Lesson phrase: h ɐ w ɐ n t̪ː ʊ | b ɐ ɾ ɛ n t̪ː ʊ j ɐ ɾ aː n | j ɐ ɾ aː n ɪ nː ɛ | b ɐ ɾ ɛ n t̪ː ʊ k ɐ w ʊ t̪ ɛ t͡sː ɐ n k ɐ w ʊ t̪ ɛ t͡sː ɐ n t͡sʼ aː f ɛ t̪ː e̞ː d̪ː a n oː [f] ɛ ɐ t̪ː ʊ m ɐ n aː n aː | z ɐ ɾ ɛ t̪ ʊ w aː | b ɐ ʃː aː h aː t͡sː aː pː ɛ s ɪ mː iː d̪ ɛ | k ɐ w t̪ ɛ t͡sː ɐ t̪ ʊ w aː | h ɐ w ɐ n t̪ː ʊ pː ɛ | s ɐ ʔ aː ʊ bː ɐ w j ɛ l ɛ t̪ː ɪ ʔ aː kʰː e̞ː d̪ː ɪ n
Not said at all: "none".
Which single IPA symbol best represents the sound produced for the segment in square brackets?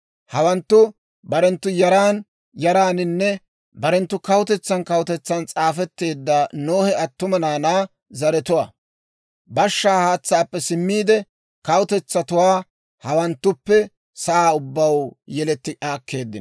h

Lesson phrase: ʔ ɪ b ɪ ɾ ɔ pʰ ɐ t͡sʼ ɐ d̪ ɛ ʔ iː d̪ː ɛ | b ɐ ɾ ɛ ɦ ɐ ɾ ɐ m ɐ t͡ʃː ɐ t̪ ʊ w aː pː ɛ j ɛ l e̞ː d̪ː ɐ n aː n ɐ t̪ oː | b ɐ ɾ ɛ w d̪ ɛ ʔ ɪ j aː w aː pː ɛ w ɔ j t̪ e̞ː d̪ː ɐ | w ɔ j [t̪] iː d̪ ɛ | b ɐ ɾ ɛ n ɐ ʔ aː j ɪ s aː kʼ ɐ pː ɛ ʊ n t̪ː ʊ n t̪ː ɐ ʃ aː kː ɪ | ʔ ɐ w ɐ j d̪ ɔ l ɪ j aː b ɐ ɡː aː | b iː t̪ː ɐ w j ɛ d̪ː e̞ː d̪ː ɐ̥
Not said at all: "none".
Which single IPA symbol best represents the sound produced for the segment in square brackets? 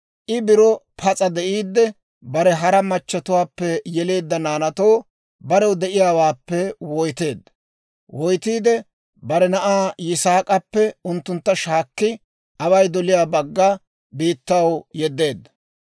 t̪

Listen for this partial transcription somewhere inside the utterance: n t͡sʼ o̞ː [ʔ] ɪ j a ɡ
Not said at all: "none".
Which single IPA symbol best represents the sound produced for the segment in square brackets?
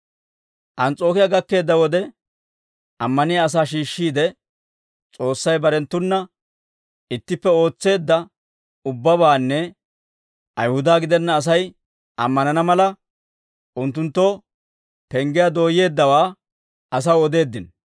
k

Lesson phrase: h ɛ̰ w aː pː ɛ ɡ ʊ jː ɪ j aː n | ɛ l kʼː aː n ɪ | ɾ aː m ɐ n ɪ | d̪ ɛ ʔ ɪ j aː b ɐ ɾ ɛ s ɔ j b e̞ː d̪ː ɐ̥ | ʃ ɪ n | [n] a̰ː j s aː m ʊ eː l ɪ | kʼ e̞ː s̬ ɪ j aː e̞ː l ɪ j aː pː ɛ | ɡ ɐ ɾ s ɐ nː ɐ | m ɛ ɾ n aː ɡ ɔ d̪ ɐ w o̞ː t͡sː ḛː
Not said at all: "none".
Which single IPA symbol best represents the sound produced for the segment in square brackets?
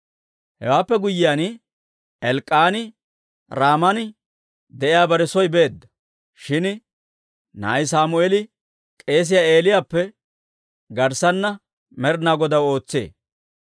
n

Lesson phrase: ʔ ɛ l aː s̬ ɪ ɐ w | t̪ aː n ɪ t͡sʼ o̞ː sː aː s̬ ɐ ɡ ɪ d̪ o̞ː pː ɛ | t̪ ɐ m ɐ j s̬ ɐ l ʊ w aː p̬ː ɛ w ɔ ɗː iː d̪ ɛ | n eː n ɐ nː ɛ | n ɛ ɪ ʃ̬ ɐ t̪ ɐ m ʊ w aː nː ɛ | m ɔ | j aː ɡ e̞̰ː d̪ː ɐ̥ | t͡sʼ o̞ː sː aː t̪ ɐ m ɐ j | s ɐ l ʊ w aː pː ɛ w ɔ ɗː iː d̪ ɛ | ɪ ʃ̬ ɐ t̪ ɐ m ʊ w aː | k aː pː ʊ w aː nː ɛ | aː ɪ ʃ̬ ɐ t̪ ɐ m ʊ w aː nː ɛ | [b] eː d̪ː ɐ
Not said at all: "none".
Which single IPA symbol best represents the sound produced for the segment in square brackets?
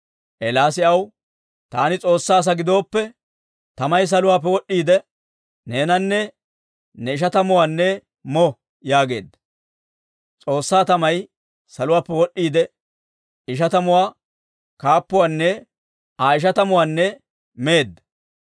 m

